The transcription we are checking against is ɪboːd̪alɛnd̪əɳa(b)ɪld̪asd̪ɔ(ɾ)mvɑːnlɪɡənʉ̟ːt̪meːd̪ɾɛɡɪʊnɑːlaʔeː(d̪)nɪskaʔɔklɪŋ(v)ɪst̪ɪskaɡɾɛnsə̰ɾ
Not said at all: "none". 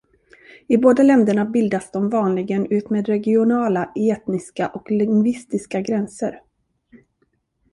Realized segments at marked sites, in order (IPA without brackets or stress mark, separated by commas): b, none, t̪, v